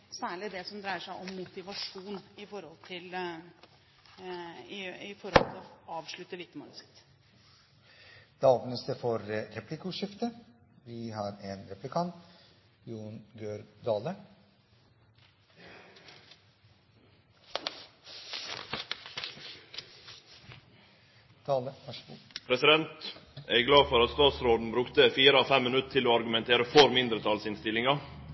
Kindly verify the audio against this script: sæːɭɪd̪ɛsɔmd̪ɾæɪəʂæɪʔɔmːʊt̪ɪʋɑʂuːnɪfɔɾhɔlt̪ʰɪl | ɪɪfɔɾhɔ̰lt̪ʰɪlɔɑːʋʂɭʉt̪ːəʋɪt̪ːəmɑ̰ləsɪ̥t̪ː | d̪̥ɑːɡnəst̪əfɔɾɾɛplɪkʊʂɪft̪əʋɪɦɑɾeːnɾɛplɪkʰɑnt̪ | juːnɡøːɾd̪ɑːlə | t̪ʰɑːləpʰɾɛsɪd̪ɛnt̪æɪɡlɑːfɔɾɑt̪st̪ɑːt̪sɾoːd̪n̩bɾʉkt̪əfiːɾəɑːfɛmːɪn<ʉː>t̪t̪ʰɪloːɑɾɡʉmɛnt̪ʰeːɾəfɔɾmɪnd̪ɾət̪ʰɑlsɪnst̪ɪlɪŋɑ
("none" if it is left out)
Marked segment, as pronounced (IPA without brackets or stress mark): ʉ